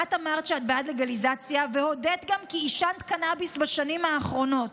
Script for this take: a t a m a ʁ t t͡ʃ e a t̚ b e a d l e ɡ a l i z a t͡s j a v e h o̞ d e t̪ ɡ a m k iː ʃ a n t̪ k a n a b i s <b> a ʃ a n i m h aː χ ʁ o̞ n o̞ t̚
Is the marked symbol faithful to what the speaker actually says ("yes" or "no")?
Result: yes